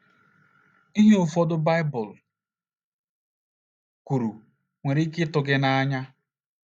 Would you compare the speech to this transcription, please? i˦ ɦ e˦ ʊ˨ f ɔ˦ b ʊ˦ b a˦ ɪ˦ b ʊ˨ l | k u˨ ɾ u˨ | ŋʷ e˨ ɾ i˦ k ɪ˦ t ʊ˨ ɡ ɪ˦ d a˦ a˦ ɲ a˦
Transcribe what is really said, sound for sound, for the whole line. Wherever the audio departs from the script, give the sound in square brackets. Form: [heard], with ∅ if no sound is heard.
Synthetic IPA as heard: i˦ ɦ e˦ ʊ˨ f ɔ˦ [d] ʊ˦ b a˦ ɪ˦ b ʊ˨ l | k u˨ ɾ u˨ | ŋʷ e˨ ɾ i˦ k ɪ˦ t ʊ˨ ɡ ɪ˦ [n] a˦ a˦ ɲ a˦

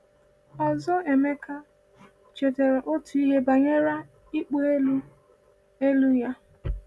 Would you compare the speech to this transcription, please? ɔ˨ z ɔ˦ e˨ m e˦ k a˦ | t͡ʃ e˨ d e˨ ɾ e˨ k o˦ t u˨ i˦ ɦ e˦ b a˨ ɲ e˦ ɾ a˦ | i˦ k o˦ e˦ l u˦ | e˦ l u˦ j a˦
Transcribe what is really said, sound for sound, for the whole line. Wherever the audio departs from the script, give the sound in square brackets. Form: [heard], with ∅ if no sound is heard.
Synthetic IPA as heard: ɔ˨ z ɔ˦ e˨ m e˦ k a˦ | t͡ʃ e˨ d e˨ ɾ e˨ [ʔ] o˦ t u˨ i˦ ɦ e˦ b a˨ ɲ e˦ ɾ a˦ | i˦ [k͡p] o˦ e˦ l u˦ | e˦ l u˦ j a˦

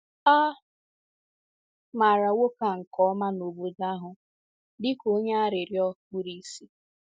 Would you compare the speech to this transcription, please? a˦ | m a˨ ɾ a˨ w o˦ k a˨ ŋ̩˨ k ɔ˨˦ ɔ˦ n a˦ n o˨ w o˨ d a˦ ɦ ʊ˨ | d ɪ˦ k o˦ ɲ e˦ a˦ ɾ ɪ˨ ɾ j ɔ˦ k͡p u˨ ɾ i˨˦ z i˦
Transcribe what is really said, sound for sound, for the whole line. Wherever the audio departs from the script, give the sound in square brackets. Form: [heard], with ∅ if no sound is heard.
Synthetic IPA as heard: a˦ | m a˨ ɾ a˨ w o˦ k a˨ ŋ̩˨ k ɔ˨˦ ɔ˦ [m] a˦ n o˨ [b] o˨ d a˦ ɦ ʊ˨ | d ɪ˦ k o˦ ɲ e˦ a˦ ɾ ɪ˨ ɾ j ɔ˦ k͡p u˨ ɾ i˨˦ [s] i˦

